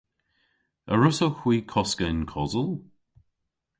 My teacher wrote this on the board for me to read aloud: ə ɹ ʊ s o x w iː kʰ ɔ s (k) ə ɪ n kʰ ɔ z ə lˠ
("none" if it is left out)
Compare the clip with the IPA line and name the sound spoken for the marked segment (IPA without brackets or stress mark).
k